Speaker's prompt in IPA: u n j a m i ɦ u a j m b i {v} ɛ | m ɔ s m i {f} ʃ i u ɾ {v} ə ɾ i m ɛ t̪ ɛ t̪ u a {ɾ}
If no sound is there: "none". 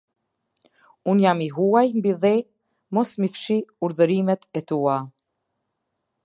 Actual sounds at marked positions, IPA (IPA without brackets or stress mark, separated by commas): ð, f, ð, none